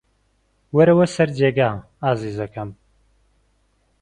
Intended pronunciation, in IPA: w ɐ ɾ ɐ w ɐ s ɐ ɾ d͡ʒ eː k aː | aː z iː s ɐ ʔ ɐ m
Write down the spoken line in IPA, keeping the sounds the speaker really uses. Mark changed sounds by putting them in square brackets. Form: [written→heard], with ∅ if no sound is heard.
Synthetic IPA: w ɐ ɾ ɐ w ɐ s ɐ ɾ d͡ʒ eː [k→ɡ] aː | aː z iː [s→z] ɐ [ʔ→k] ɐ m